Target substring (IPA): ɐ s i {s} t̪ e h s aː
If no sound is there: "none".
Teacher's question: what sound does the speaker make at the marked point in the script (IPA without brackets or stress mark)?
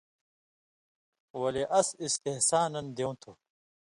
s